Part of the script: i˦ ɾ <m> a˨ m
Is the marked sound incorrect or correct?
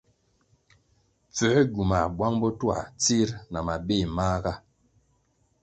incorrect